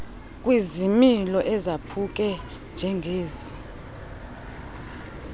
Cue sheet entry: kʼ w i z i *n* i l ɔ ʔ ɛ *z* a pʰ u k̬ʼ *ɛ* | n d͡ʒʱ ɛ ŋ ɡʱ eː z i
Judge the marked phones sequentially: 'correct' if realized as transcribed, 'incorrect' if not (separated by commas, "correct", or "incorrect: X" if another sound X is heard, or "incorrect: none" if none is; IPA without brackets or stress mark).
incorrect: m, correct, correct